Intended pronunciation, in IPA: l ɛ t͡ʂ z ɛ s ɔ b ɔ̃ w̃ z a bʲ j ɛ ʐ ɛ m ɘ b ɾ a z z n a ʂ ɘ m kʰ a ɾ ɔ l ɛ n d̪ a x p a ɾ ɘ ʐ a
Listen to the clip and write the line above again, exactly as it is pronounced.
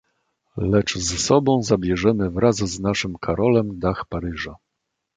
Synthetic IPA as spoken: l ɛ t͡ʂ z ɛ s ɔ b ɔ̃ w̃ z a bʲ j ɛ ʐ ɛ m ɘ v ɾ a z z n a ʂ ɘ m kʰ a ɾ ɔ l ɛ m d̪ a x p a ɾ ɘ ʐ a